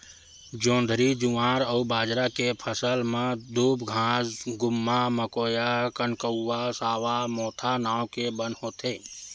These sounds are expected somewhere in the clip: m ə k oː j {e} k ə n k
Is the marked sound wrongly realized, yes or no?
yes